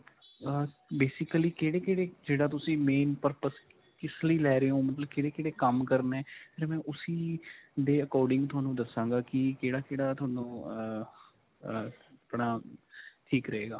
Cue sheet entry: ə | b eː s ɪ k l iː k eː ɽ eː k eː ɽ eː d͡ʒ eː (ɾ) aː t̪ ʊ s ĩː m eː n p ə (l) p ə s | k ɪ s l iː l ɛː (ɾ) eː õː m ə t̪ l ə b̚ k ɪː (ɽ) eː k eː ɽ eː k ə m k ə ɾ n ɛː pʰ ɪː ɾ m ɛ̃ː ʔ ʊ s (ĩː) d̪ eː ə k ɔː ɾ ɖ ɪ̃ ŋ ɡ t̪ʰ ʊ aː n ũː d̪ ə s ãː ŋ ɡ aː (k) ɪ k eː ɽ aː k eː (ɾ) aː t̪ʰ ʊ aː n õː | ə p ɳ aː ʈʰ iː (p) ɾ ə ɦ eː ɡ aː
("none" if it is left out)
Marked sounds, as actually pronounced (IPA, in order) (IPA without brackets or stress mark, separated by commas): ɽ, ɾ, ɾ, ɽ, iː, k, ɽ, k